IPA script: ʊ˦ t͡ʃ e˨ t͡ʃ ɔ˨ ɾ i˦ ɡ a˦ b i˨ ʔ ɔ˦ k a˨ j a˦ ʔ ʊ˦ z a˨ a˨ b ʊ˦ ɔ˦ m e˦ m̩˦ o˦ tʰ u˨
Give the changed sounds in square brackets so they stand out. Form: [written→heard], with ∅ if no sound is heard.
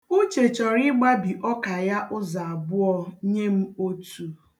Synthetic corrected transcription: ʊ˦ t͡ʃ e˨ t͡ʃ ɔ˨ ɾ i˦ [ɡ→ɡ͡b] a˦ b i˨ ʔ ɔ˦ k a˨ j a˦ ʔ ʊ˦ z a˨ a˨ b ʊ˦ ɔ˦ [m→ɲ] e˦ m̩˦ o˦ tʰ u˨